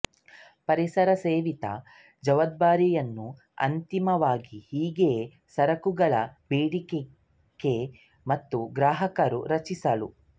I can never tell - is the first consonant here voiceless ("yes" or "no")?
yes